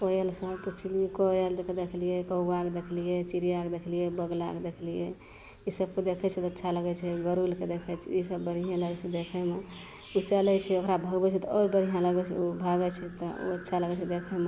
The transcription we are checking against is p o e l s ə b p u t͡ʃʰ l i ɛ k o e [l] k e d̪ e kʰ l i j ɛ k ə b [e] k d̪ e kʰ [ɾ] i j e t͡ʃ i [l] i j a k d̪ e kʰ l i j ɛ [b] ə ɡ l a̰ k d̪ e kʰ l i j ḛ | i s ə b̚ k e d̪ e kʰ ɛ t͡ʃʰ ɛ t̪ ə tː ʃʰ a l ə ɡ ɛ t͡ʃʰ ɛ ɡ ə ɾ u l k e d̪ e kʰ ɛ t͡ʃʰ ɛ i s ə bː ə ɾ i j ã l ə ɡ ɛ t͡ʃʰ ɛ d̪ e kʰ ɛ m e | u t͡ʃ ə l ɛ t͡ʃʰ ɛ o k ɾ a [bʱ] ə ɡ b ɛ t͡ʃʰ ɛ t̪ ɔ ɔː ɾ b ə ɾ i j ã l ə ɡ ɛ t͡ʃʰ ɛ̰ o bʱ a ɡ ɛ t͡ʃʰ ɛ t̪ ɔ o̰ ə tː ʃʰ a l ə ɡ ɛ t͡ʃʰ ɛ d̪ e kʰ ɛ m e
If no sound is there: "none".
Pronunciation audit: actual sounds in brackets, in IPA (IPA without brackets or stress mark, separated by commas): l, a, l, ɾ, b, bʱ